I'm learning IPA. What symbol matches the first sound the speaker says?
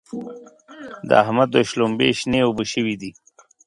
d̪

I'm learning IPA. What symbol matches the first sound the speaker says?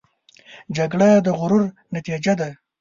d͡ʒ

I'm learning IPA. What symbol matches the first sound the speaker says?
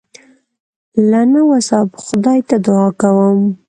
l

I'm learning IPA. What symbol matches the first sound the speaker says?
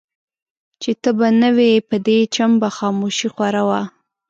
t͡ʃ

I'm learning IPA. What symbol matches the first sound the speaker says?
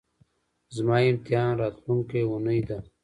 z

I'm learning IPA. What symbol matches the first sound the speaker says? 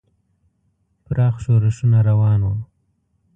p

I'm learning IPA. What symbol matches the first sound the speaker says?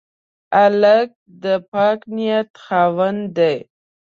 a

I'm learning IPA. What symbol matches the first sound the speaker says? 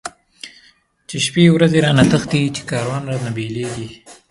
t͡ʃ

